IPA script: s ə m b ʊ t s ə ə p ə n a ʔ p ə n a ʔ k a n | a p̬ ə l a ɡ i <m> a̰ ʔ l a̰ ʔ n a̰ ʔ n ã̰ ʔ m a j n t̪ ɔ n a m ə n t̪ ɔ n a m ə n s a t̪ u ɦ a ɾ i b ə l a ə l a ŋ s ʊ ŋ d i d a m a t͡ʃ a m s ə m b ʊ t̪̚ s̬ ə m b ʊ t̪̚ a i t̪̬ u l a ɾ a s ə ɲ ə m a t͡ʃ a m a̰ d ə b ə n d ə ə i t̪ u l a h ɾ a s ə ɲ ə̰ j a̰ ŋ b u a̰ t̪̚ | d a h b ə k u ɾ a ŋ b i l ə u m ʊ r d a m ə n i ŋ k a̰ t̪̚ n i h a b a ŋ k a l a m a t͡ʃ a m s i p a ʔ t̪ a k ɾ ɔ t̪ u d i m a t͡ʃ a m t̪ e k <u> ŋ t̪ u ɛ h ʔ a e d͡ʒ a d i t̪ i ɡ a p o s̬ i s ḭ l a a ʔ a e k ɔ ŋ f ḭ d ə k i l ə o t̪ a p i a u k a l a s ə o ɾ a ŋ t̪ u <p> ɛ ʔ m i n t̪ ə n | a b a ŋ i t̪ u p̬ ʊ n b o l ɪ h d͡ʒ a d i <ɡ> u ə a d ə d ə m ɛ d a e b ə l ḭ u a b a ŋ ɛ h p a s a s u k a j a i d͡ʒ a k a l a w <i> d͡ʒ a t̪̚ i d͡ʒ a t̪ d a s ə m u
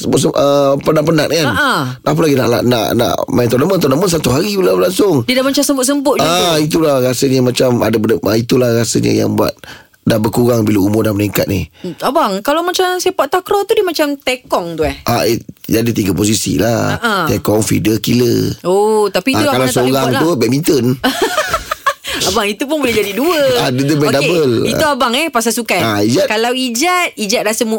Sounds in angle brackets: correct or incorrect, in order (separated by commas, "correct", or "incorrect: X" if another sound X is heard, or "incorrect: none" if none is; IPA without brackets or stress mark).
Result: incorrect: n, incorrect: ɔ, incorrect: b, incorrect: d, correct